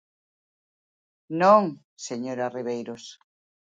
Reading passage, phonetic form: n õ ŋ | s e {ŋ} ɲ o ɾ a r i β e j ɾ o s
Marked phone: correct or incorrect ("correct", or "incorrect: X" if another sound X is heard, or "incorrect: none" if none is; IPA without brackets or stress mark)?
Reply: incorrect: none